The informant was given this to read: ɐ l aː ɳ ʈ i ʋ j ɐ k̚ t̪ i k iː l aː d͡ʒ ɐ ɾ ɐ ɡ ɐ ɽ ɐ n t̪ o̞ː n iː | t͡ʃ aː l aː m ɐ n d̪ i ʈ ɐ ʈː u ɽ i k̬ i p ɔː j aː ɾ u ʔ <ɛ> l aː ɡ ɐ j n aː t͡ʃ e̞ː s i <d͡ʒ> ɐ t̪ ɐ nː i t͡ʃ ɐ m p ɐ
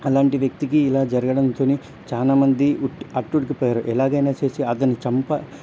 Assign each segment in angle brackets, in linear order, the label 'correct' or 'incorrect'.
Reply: correct, incorrect: none

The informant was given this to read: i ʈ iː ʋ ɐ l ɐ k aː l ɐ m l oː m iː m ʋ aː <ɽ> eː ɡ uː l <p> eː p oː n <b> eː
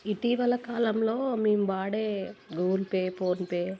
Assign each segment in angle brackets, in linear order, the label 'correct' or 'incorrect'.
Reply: correct, correct, incorrect: p

